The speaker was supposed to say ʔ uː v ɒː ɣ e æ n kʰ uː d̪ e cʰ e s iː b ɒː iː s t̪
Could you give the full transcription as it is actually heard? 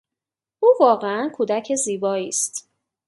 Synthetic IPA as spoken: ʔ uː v ɒː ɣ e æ n kʰ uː d̪ æ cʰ e z iː b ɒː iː s t̪

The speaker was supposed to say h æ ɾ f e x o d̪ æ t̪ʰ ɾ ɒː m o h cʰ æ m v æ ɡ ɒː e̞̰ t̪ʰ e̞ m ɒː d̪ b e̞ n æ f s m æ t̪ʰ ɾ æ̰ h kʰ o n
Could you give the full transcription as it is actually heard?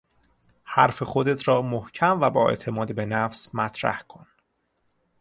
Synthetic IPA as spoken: h æ ɾ f e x o d̪ e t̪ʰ ɾ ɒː m o h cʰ æ m v æ b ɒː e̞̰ t̪ʰ e̞ m ɒː d̪ b e̞ n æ f s m æ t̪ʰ ɾ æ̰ h kʰ o n

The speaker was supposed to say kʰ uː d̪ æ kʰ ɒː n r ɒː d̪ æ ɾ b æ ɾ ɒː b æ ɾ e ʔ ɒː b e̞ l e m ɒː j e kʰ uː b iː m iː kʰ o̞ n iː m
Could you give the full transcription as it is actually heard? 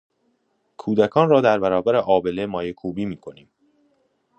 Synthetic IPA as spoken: kʰ uː d̪ æ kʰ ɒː n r ɒː d̪ æ ɾ b æ ɾ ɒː b æ ɾ e ʔ ɒː b e̞ l e m ɒː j e kʰ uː b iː m iː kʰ o̞ n iː m

